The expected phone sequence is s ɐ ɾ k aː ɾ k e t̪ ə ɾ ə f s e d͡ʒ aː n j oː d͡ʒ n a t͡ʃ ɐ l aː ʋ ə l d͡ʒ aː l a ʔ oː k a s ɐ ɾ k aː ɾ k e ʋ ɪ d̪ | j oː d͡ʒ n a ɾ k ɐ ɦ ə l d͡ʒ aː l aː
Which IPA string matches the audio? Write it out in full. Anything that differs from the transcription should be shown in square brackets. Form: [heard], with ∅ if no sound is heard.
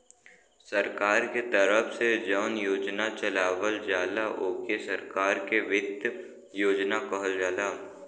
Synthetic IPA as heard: s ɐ ɾ k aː ɾ k e t̪ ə ɾ ə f s e d͡ʒ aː n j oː d͡ʒ n a t͡ʃ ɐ l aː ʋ ə l d͡ʒ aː l a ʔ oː k [e] s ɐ ɾ k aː ɾ k e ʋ ɪ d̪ | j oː d͡ʒ n a [∅] k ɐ ɦ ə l d͡ʒ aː l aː